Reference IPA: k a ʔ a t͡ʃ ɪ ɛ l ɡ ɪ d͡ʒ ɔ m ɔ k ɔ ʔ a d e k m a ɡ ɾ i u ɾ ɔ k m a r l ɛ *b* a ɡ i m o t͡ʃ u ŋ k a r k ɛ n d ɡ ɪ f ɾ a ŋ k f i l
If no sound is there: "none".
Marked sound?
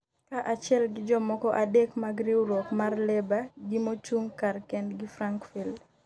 b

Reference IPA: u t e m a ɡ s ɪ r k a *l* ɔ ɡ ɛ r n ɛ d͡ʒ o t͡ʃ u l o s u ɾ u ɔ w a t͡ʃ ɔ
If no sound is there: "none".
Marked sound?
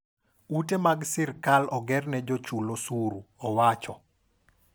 l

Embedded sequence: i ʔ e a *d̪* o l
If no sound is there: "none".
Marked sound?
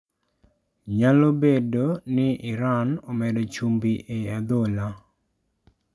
d̪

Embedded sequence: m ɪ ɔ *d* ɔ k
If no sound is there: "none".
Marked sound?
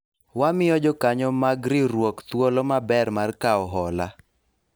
d͡ʒ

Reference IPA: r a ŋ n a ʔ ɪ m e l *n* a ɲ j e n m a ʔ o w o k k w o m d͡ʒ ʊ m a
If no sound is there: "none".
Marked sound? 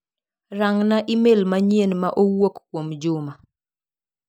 m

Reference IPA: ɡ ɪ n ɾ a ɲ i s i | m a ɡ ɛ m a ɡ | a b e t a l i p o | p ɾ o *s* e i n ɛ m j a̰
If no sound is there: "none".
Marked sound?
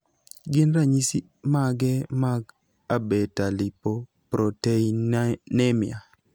t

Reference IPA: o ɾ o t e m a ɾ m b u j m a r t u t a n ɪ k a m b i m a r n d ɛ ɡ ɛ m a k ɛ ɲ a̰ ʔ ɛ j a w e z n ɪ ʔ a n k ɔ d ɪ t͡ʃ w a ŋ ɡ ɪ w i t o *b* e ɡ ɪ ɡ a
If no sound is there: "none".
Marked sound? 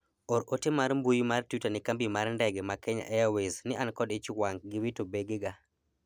b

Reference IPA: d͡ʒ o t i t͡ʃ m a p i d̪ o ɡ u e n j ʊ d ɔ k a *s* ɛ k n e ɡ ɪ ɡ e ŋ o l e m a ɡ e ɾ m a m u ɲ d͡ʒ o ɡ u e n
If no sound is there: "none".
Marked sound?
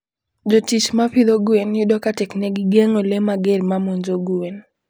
t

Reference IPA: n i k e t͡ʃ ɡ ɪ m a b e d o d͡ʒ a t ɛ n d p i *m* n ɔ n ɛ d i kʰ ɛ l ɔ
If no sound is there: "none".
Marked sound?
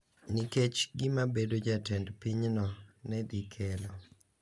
ɲ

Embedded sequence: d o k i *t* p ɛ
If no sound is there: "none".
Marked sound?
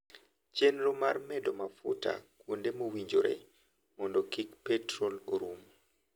k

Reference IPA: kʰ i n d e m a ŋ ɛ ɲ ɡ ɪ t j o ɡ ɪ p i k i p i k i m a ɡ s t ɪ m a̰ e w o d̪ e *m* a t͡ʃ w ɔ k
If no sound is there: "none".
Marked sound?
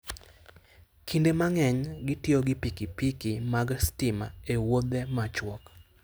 m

